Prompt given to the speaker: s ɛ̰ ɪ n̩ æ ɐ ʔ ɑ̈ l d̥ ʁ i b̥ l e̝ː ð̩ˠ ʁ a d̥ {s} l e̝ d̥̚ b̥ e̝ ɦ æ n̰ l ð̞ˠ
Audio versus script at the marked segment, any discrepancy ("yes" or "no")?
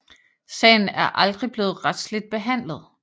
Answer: no